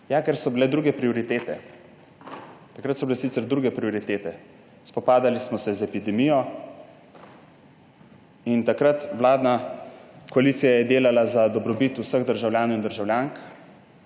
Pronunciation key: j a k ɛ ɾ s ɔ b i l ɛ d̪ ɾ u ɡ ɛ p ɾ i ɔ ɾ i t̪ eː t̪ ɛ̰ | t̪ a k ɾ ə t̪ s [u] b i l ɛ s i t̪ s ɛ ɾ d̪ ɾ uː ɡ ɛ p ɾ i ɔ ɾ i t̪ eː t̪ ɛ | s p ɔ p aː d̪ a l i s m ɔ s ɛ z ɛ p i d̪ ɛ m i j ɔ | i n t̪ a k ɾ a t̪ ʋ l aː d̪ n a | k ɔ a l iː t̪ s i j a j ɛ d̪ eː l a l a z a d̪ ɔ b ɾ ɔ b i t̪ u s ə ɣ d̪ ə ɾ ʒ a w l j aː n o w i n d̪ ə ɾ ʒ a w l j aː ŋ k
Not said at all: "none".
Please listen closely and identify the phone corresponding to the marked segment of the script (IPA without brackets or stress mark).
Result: ɔ